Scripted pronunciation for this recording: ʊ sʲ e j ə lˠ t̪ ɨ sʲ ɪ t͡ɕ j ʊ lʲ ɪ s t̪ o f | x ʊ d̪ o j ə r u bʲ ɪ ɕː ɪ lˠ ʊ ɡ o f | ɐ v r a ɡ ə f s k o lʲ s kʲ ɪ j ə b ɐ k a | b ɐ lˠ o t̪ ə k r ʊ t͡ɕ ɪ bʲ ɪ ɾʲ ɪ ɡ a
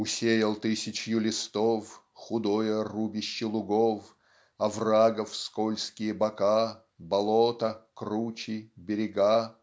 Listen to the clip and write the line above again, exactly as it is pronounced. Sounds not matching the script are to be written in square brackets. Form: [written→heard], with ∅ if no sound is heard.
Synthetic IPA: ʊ sʲ e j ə lˠ t̪ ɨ sʲ ɪ t͡ɕ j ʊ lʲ ɪ s t̪ o f | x ʊ d̪ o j ə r u bʲ ɪ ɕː ɪ lˠ ʊ ɡ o f | ɐ v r a ɡ ə f s k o lʲ s kʲ ɪ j ə b ɐ k a | b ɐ lˠ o t̪ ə k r [ʊ→u] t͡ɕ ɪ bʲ ɪ ɾʲ ɪ ɡ a